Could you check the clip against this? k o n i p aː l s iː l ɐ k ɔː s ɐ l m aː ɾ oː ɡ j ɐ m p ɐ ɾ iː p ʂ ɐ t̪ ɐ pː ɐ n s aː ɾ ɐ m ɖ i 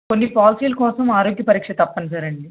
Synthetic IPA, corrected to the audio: k o nː i p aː l s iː l ɐ k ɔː s ɐ m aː ɾ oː ɡ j ɐ p ɐ ɾ iː k ʂ ɐ t̪ ɐ pː ɐ n s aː ɾ ɐ ɳ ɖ i